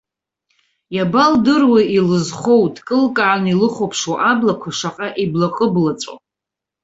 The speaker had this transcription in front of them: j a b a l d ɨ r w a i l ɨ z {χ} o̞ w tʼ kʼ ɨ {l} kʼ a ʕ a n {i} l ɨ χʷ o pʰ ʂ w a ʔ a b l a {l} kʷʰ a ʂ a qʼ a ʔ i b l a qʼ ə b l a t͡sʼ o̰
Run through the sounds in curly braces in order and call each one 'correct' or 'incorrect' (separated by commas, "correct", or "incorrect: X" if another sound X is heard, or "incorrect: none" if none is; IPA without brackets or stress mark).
correct, correct, correct, incorrect: none